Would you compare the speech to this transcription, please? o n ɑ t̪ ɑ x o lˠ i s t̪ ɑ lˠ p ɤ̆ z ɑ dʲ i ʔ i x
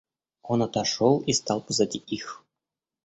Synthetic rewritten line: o n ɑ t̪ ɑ ʂ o lˠ i s t̪ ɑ lˠ p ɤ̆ z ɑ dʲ i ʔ i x